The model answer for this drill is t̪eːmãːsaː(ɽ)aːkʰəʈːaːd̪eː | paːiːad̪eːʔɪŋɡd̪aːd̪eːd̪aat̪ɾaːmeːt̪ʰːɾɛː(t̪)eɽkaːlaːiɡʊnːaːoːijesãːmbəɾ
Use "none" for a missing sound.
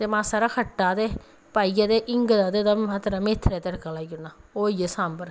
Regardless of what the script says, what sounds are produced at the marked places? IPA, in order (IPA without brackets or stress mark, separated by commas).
ɾ, t̪